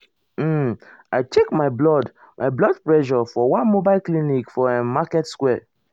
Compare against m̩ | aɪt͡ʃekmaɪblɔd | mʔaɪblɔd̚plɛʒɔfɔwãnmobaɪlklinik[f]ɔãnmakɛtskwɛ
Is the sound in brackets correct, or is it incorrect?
correct